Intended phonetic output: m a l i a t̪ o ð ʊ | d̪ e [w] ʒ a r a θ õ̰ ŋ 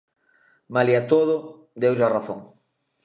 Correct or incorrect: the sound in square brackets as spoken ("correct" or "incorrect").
correct